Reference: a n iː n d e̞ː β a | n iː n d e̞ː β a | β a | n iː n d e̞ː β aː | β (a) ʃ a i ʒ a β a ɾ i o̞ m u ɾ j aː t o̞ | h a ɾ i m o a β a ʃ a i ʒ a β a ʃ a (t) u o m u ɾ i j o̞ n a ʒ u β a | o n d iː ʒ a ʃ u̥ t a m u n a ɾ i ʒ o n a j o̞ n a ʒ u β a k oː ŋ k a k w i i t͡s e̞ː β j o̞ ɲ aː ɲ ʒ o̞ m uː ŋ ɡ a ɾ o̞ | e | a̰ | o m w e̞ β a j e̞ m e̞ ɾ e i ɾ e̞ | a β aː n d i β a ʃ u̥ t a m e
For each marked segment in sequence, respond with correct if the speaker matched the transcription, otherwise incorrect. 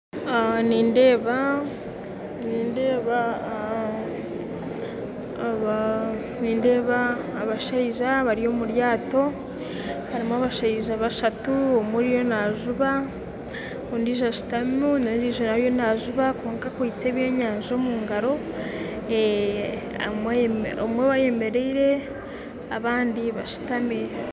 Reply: correct, correct

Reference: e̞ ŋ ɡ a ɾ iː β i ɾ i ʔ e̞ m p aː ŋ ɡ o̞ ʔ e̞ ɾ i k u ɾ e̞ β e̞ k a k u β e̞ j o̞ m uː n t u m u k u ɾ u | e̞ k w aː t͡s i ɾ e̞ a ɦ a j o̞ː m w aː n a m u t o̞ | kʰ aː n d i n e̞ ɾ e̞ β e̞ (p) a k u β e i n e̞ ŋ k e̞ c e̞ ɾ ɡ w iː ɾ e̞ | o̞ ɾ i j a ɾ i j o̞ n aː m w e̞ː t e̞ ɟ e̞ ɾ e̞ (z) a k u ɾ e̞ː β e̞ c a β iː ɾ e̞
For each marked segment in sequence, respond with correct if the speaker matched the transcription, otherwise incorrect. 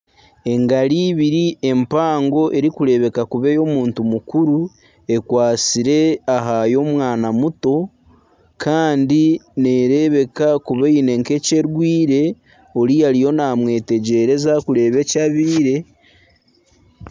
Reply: incorrect: k, correct

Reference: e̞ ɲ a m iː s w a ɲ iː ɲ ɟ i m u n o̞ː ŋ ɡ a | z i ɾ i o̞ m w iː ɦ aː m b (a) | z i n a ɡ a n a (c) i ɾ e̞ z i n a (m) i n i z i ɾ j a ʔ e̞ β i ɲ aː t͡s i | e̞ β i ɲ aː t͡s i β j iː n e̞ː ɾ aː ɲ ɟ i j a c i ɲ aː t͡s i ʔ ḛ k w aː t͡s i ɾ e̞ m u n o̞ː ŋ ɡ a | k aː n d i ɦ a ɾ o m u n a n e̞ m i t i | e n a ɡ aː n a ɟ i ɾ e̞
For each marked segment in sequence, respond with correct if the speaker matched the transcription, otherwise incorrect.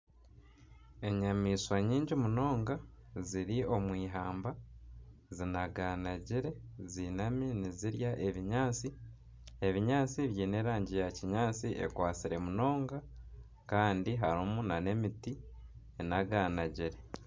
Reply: correct, incorrect: ɟ, correct

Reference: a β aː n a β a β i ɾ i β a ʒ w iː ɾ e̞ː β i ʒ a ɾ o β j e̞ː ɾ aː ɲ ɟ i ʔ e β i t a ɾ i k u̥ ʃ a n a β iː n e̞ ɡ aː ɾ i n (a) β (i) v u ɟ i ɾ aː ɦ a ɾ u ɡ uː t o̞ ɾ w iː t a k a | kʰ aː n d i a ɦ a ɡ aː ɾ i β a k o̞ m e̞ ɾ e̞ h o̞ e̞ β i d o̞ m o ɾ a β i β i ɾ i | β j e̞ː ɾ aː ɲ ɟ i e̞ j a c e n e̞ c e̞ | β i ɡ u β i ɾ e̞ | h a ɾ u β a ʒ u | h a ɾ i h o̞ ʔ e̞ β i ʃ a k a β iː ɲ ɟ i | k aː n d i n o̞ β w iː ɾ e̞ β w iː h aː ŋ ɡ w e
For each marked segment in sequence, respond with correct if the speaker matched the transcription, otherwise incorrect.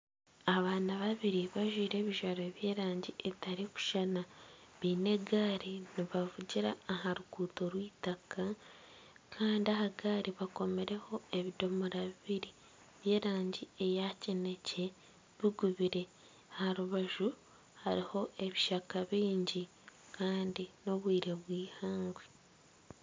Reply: incorrect: i, incorrect: a

